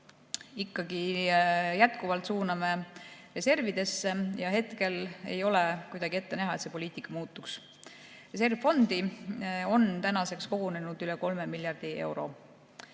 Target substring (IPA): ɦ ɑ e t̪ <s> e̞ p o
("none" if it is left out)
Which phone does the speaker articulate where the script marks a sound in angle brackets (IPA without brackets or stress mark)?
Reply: s